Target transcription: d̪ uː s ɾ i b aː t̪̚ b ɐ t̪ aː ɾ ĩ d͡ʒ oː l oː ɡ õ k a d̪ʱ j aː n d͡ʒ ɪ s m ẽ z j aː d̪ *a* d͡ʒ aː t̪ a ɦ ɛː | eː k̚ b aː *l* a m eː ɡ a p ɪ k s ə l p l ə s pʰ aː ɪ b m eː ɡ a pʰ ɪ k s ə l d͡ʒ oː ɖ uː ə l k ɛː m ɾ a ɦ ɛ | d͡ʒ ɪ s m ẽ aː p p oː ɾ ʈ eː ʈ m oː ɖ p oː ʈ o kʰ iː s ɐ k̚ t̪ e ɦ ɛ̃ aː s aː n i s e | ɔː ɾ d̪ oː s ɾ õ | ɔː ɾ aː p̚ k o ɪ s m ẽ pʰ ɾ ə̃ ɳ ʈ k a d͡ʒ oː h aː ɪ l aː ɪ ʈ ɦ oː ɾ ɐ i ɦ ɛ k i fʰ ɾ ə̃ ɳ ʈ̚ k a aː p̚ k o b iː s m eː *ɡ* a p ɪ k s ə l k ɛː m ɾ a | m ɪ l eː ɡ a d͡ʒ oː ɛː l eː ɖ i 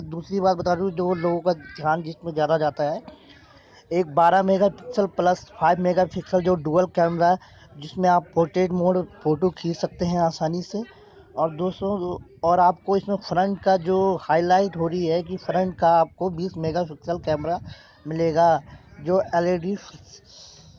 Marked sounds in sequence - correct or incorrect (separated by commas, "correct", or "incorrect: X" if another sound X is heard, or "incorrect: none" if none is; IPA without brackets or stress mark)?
correct, incorrect: ɾ, correct